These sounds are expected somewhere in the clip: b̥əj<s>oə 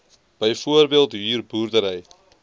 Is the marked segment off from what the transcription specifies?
yes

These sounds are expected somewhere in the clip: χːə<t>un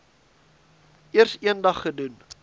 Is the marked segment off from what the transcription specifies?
yes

